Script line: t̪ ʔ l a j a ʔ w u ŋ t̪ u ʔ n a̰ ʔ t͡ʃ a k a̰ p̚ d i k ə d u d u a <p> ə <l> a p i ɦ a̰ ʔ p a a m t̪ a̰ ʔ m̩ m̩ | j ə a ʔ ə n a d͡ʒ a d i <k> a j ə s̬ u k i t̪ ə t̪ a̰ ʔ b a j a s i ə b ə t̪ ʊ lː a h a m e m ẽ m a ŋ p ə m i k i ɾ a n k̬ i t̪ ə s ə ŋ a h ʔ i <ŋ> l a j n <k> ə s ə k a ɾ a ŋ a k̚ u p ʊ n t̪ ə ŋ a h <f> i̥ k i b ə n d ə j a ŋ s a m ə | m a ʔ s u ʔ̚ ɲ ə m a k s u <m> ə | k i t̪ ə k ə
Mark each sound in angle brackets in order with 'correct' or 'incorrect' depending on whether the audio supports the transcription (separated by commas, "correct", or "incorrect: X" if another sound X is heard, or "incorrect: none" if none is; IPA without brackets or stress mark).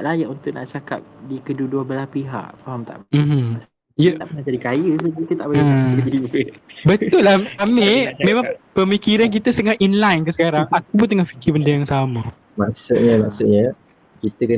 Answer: incorrect: b, correct, correct, incorrect: n, correct, correct, incorrect: ɲ